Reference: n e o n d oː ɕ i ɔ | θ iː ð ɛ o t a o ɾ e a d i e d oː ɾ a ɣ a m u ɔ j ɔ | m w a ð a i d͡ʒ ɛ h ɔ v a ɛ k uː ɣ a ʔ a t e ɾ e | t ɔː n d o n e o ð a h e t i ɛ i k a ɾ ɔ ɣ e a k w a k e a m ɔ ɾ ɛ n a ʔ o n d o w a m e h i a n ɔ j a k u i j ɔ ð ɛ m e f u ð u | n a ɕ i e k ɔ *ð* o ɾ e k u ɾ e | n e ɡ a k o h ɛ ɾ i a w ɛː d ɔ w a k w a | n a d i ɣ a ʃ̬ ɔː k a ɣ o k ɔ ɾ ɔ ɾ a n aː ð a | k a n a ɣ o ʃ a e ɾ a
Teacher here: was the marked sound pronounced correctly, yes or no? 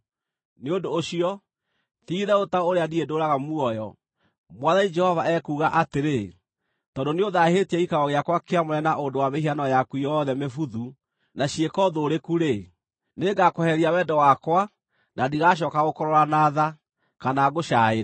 yes